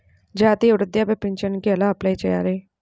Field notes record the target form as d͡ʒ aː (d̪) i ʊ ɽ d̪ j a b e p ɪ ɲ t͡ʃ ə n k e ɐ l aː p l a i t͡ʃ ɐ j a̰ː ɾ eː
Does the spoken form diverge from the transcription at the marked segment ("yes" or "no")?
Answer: yes